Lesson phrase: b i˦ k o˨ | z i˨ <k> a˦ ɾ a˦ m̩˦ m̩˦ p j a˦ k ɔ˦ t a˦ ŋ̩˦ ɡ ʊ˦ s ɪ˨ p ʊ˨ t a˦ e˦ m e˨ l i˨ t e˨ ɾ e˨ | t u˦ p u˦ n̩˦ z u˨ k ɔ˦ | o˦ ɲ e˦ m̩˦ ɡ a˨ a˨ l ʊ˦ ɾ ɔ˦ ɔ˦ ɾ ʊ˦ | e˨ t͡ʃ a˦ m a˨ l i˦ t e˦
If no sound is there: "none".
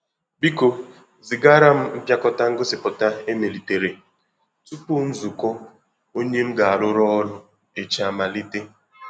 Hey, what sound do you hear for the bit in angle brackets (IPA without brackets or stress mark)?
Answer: ɡ